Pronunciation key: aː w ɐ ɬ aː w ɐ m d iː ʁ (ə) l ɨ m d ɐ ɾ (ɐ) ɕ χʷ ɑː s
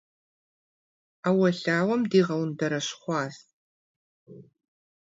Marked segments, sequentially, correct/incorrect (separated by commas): incorrect, correct